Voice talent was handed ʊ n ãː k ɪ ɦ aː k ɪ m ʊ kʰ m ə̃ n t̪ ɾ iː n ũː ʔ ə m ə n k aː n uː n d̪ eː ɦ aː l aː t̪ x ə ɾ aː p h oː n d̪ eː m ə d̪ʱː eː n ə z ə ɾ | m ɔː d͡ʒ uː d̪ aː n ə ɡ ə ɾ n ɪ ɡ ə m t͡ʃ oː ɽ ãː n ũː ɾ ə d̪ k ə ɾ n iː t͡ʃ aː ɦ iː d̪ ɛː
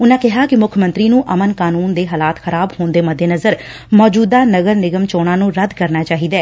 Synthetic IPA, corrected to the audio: ʊ n ãː k ɪ ɦ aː k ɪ m ʊ kʰ m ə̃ n t̪ ɾ iː n ũː ʔ ə m ə n k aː n uː n d̪ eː ɦ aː l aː t̪ x ə ɾ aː b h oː n d̪ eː m ə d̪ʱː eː n ə z ə ɾ | m ɔː d͡ʒ uː d̪ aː n ə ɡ ə ɾ n ɪ ɡ ə m t͡ʃ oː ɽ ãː n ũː ɾ ə d̪ k ə ɾ n aː t͡ʃ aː ɦ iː d̪ ɛː